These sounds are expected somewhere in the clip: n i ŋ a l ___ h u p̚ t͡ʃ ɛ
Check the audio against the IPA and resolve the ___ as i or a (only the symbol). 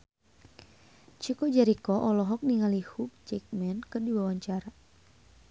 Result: i